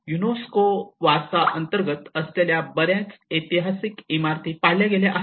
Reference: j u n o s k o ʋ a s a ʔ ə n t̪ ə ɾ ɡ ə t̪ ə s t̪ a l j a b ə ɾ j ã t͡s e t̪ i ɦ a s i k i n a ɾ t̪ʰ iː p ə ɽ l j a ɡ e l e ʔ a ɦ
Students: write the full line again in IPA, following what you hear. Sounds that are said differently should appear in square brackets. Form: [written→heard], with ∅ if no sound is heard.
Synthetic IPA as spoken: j u n o s k o ʋ a s a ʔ ə n t̪ ə ɾ ɡ ə t̪ ə s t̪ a l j a b ə ɾ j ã t͡s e t̪ i ɦ a s i k i [n→m] a ɾ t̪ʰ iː p [ə→a] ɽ l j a ɡ e l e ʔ a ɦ

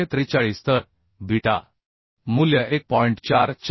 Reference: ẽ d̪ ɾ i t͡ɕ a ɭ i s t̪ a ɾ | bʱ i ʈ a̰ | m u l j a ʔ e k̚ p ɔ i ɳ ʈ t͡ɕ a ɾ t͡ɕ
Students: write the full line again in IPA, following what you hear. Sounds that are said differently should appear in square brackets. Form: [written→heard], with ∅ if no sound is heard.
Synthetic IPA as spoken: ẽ [d̪→t̪] ɾ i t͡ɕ a ɭ i s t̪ [a→ə] ɾ | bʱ i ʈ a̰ | m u l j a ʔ e k̚ p ɔ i ɳ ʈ t͡ɕ a ɾ t͡ɕ

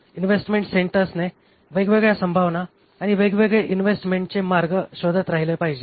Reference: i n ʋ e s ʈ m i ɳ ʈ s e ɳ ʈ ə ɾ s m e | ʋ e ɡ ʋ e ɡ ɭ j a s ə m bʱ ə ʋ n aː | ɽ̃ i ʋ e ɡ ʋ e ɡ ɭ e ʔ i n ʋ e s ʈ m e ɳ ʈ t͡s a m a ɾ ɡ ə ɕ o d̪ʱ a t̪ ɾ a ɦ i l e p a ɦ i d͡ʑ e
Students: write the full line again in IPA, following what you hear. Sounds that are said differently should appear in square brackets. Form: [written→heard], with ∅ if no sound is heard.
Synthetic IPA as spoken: i n ʋ e s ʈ m [i→e] ɳ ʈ s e ɳ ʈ ə ɾ s [m→n] e | ʋ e ɡ ʋ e ɡ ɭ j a s ə m bʱ [ə→a] ʋ n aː | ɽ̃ i ʋ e ɡ ʋ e ɡ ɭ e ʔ i n ʋ e s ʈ m e ɳ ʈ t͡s [a→e] m a ɾ ɡ ə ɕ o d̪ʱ a t̪ ɾ a ɦ i l e p a ɦ i d͡ʑ e

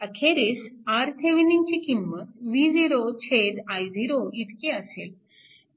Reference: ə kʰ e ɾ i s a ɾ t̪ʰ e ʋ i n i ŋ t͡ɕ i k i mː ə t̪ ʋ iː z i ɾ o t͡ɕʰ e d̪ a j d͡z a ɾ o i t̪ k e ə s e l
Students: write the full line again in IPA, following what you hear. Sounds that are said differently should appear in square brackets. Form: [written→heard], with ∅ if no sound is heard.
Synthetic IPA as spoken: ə kʰ e ɾ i s a ɾ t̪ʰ e ʋ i n i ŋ t͡ɕ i k i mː ə t̪ ʋ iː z i ɾ o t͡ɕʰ e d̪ a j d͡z [a→i] ɾ o i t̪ k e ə s e l

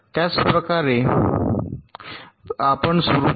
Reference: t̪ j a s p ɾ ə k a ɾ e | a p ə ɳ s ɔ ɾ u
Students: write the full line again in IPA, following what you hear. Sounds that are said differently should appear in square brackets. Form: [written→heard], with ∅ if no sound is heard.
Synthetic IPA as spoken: t̪ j a [s→t͡s] p ɾ ə k a ɾ e | a p ə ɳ s [ɔ→u] ɾ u

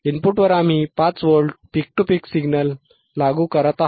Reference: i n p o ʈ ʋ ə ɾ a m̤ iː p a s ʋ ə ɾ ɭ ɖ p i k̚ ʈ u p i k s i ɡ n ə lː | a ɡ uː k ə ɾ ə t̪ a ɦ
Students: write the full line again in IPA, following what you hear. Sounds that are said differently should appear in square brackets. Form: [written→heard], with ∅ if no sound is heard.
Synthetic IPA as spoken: i n p [o→u] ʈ ʋ ə ɾ a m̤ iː p a [s→t͡s] ʋ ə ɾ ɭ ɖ p i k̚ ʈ u p i k s i ɡ n ə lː | a ɡ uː k ə ɾ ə t̪ a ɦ

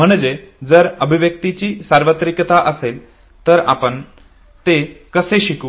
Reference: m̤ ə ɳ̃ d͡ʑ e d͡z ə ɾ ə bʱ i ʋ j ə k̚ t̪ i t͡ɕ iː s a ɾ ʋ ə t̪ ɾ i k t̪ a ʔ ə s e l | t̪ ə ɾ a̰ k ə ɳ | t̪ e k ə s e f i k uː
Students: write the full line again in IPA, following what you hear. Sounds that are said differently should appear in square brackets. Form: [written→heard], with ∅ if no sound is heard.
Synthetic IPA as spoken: m̤ ə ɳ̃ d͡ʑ e d͡z ə ɾ ə bʱ i ʋ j ə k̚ t̪ i t͡ɕ iː s a ɾ ʋ ə t̪ ɾ i k t̪ a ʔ ə s e l | t̪ ə ɾ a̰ [k→p] ə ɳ | t̪ e k ə s e [f→ɕ] i k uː

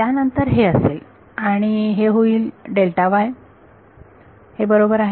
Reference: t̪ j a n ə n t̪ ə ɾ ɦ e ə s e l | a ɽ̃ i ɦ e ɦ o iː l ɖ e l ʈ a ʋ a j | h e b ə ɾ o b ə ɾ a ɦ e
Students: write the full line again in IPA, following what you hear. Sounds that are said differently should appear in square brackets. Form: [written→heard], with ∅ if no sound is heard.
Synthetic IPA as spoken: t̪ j a n ə n t̪ ə ɾ ɦ e ə s e l | a ɽ̃ i ɦ e ɦ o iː l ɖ e l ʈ a ʋ a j | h e b ə ɾ o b ə ɾ a ɦ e

